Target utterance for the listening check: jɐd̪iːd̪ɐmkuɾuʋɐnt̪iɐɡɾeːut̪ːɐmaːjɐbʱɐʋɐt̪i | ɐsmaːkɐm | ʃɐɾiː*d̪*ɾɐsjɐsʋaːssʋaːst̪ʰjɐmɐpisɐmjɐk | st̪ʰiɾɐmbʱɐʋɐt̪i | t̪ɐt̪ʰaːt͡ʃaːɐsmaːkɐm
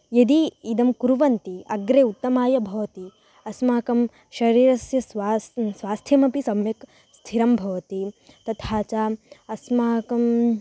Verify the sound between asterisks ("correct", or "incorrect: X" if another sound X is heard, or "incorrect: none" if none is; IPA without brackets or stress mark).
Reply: incorrect: none